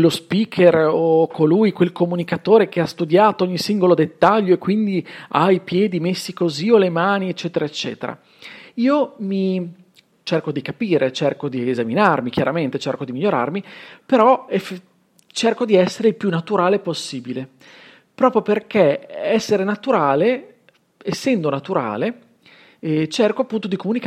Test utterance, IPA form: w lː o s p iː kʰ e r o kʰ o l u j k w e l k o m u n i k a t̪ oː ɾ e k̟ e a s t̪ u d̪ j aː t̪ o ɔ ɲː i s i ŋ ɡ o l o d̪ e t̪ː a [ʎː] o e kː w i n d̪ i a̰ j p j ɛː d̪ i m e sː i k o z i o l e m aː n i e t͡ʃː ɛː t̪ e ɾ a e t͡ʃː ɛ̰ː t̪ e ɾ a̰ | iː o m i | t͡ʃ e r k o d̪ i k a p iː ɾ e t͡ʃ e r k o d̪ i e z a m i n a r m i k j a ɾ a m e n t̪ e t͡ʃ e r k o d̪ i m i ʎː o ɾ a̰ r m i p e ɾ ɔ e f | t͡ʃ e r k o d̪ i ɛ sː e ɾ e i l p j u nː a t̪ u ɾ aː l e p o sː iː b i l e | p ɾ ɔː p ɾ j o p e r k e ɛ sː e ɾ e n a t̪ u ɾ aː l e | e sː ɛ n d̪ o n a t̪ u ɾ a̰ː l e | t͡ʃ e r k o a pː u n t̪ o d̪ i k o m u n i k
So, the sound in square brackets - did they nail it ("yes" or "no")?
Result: yes